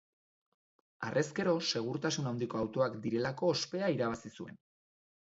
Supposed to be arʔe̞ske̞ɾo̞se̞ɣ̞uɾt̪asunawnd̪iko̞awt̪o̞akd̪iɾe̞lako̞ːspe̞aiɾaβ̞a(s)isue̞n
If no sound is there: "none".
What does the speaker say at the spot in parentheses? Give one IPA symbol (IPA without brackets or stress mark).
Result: s